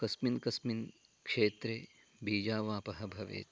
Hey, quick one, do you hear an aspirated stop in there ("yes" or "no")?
no